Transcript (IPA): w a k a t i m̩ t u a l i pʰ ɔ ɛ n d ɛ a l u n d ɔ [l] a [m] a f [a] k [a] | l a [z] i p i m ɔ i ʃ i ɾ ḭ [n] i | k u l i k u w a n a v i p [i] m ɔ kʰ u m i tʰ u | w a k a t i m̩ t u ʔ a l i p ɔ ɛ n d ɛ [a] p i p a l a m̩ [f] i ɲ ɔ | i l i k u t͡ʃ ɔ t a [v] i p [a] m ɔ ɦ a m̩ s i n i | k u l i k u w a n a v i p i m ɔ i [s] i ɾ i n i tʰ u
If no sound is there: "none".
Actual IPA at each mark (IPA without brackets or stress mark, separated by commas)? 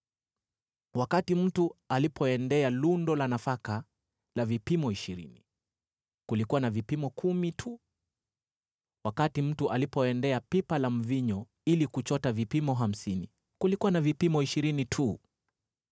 l, n, a, a, v, n, i, a, v, v, i, ʃ